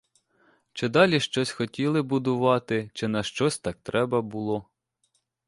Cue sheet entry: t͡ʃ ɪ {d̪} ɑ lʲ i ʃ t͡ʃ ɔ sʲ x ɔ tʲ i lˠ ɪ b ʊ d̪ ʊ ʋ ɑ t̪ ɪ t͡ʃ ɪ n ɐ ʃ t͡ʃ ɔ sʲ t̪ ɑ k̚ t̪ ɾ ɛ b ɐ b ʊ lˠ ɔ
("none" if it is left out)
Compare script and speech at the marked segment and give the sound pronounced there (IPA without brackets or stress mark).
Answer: d̪